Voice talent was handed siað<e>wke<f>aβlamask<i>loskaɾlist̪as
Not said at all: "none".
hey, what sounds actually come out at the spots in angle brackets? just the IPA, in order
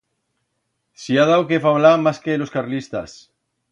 a, f, e

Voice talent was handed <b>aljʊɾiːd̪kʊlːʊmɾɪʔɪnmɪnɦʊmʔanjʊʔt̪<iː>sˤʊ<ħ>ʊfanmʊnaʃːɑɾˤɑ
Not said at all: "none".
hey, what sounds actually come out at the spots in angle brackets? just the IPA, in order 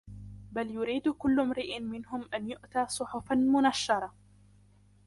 b, aː, ħ

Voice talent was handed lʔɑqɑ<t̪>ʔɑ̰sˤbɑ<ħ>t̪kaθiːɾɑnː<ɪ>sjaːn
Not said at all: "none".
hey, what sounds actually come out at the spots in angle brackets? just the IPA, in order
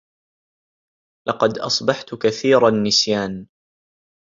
d̪, ħ, ɪ

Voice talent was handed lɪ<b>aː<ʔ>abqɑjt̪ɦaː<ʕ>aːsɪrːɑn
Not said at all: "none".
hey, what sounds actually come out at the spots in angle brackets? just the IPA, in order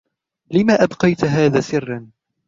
m, ʔ, ð

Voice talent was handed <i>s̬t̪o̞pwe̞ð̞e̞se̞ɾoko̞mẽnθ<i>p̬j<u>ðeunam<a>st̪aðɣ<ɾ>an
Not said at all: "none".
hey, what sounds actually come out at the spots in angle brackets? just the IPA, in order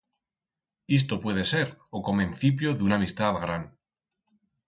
i, i, o, i, ɾ

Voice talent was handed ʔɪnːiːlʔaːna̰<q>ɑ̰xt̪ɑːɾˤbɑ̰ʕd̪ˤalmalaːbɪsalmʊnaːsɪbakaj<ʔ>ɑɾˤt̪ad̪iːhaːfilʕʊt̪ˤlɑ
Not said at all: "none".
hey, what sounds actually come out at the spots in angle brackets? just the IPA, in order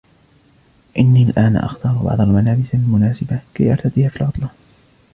ʔ, ʔ

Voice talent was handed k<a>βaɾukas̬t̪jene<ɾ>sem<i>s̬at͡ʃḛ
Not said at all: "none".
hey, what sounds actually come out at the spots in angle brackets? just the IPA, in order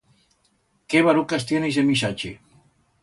e, none, i

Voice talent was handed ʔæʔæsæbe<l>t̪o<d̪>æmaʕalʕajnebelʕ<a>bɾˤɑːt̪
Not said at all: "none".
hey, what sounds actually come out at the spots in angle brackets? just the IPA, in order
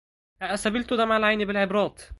l, d̪, e

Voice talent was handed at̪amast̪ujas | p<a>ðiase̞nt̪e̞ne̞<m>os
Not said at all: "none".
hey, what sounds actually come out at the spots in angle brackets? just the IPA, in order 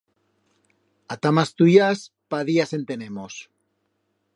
a, m

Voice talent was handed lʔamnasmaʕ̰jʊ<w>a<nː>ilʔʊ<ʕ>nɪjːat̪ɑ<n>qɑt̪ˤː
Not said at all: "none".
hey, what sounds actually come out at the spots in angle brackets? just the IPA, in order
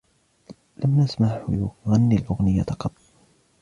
ɣ, nː, ɣ, none

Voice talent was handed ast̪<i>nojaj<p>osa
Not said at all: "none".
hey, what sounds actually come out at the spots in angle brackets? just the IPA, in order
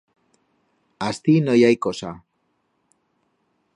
i, k

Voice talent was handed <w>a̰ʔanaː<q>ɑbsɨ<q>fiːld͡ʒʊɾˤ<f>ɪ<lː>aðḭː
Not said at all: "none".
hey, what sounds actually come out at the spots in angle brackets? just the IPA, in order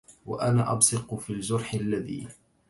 w, ʔ, q, ħ, lː

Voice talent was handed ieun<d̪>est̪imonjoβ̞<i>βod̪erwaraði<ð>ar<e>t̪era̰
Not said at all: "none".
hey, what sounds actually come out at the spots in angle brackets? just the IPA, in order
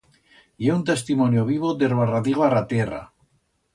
t̪, i, ɣ, a

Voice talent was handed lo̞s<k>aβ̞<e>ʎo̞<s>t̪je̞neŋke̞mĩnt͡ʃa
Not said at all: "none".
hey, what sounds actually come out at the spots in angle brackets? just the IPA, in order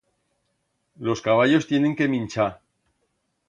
k, a, s

